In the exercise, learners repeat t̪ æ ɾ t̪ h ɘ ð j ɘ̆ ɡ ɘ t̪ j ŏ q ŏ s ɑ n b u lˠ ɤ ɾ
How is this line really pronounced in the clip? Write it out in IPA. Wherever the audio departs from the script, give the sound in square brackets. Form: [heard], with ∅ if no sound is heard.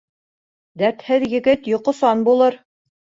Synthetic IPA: [d̪] æ ɾ t̪ h ɘ ð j ɘ̆ ɡ ɘ t̪ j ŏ q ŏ s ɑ n b u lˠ ɤ ɾ